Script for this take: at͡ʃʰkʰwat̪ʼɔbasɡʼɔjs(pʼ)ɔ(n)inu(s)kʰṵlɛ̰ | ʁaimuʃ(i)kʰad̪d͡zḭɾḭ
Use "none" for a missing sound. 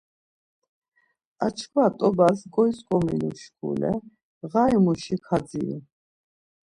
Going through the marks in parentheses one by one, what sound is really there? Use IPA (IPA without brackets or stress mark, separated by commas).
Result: kʼ, m, ʃ, i